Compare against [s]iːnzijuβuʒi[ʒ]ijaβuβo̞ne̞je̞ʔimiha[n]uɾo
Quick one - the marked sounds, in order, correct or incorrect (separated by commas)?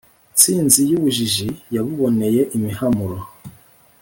incorrect, correct, incorrect